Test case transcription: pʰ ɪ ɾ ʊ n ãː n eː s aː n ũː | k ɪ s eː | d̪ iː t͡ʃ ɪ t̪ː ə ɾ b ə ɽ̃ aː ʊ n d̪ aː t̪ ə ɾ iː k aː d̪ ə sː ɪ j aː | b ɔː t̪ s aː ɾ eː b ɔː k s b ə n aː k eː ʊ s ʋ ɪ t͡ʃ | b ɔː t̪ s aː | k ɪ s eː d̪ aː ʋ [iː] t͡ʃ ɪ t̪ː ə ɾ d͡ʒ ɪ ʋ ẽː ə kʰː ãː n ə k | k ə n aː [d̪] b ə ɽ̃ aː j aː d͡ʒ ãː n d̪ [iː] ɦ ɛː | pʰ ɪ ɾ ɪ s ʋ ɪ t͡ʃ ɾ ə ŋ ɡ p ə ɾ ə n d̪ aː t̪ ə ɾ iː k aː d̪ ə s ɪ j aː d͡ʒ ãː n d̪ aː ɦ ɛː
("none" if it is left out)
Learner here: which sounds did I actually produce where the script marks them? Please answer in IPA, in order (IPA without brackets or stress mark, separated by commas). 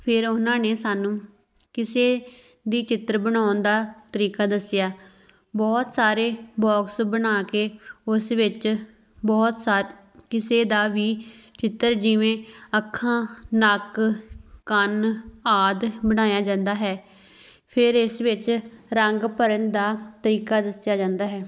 iː, d̪, aː